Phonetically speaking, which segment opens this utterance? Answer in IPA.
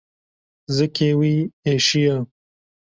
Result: z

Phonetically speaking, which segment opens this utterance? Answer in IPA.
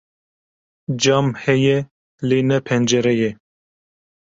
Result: d͡ʒ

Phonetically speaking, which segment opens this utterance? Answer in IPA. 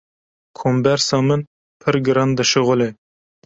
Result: kʰ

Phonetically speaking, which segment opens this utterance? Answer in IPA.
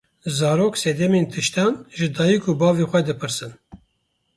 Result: z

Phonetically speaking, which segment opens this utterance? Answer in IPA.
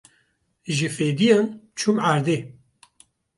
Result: ʒ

